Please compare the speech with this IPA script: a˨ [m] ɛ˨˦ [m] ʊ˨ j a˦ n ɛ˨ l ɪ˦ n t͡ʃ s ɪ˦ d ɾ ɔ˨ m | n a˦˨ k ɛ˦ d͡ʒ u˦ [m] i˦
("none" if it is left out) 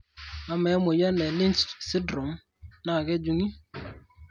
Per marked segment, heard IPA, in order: m, m, ŋ

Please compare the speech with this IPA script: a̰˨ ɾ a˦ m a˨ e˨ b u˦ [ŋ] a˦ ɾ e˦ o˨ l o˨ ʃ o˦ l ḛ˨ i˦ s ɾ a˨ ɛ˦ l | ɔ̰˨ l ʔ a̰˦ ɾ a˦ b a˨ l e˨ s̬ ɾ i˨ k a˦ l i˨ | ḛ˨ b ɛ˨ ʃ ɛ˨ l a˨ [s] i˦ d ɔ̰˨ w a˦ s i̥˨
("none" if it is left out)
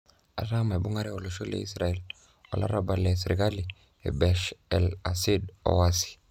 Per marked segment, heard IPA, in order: ŋ, s

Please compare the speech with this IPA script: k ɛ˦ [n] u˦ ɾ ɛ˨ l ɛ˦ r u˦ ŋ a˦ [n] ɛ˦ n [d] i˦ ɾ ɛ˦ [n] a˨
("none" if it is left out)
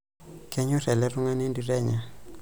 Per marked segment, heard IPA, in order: ɲ, n, d, ɲ

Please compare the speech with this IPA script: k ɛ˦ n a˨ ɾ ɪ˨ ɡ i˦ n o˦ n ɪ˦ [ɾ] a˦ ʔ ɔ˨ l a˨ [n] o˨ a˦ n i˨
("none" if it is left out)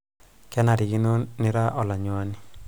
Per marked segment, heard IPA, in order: ɾ, ɲ

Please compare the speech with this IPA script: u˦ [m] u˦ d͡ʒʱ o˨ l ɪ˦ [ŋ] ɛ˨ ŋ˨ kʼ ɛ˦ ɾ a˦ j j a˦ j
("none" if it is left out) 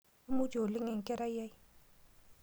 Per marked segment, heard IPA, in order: m, ŋ

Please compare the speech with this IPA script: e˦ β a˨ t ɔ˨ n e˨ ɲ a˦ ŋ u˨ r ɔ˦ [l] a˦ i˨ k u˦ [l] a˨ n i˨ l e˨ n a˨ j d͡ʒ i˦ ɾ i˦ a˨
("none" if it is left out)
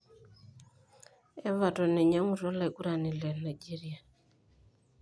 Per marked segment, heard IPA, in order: l, ɾ

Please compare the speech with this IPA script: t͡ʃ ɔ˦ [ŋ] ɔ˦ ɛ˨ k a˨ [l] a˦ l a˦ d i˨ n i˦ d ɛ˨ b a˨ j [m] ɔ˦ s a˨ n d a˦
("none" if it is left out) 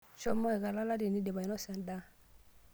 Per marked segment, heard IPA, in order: m, l, n

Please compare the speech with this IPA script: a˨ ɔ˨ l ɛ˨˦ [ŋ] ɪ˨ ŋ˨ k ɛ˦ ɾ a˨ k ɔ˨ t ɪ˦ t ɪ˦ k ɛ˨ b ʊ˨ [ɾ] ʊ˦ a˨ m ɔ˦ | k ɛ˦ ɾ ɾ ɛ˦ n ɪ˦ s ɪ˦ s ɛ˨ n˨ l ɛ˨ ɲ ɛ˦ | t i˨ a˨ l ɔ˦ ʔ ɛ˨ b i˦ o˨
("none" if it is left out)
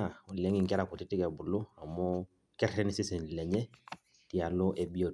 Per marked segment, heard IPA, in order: ŋ, l

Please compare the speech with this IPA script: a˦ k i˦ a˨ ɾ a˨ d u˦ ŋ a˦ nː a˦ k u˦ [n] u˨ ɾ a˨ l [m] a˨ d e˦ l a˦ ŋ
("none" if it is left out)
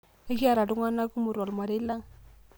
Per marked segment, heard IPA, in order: m, m

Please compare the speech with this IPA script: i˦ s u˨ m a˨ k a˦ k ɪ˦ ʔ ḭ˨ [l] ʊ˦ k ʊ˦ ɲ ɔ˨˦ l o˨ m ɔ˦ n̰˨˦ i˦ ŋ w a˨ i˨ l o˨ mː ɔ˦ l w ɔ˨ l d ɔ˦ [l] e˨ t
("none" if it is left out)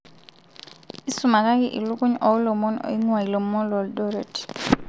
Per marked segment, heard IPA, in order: l, ɾ

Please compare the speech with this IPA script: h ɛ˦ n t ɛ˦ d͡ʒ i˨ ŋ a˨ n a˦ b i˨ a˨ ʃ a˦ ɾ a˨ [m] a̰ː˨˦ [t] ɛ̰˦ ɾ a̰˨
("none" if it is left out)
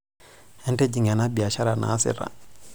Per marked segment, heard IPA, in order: n, s

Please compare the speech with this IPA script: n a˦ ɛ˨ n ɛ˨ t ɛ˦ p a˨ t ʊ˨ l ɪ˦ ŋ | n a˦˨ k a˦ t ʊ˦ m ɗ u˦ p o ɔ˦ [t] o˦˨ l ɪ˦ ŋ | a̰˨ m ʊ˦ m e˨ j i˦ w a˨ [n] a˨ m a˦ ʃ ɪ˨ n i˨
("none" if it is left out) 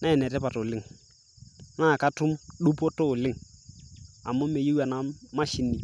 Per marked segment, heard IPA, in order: t, n

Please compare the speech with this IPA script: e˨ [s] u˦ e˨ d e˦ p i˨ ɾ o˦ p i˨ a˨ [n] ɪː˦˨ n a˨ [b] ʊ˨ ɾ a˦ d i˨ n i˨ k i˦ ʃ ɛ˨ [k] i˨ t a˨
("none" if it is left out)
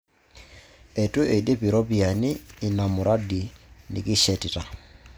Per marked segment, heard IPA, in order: t, n, m, t

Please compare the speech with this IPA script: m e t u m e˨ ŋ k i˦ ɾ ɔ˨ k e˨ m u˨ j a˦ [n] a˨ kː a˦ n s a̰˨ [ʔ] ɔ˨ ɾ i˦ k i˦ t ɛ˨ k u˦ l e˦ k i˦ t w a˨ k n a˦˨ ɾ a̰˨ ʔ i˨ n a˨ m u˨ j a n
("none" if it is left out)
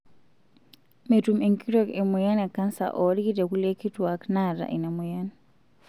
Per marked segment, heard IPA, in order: n, ʔ

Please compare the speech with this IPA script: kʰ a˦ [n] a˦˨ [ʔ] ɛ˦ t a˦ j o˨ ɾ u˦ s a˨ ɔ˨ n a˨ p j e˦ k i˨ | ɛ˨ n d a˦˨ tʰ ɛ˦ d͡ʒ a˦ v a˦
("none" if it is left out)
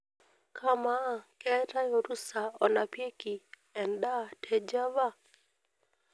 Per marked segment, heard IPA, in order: m, k

